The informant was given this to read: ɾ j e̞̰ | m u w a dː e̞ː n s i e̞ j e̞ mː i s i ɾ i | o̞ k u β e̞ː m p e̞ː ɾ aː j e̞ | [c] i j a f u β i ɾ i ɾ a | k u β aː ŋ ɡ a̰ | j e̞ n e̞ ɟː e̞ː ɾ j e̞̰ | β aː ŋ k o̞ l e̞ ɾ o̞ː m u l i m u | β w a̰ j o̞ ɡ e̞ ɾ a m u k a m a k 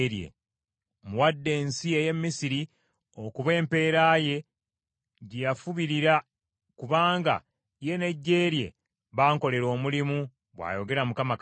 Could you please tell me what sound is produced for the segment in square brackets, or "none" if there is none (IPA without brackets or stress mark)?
ɟ